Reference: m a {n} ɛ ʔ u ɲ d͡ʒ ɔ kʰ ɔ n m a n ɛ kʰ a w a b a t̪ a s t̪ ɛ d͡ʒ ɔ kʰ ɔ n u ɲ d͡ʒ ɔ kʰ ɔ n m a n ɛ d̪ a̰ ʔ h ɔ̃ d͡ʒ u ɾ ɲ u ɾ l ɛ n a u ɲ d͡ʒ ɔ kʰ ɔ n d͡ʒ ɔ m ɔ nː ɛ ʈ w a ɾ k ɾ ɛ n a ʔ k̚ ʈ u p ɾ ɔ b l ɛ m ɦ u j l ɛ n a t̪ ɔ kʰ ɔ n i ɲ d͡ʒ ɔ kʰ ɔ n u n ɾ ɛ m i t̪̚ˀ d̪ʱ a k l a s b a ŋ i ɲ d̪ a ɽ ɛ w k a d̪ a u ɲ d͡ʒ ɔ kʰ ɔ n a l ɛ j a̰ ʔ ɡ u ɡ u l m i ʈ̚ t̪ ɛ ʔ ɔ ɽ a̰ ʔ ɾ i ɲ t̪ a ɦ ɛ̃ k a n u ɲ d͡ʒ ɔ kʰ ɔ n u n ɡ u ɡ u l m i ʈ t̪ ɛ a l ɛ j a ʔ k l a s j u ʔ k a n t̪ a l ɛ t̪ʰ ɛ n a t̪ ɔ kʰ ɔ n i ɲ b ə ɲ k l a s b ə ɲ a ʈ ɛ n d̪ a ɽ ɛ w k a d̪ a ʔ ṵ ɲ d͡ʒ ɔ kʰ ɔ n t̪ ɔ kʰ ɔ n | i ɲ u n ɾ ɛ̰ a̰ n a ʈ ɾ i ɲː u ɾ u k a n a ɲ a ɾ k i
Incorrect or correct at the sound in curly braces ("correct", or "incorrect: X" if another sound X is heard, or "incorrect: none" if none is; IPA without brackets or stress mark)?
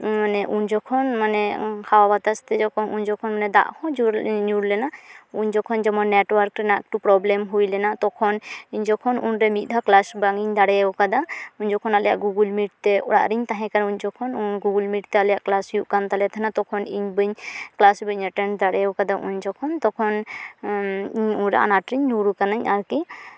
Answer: correct